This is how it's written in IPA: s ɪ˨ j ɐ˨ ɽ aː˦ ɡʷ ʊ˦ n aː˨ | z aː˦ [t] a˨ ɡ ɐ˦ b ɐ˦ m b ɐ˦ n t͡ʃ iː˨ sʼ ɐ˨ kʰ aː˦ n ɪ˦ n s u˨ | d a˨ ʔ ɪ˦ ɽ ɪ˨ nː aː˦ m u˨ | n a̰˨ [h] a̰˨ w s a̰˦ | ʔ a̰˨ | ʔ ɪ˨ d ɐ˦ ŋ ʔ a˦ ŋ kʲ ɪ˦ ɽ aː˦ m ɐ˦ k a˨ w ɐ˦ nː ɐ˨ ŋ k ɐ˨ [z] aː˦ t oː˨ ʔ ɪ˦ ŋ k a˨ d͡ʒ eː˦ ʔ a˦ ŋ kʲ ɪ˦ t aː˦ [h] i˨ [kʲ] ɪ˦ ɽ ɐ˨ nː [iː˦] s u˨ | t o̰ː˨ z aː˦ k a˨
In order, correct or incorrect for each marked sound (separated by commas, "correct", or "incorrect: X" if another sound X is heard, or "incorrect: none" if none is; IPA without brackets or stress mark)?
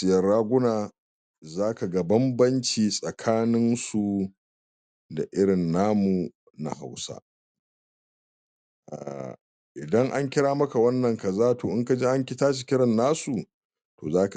incorrect: k, correct, correct, incorrect: ʃ, correct, incorrect: aː˦